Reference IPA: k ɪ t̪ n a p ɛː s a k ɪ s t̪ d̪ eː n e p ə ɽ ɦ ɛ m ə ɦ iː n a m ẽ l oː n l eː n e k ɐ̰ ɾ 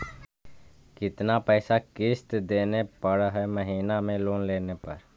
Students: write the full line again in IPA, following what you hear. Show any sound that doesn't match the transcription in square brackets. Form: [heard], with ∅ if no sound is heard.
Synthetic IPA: k ɪ t̪ n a p ɛː s a k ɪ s t̪ d̪ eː n e p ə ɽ ɦ ɛ m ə ɦ iː n a m ẽ l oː n l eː n e [p] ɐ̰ ɾ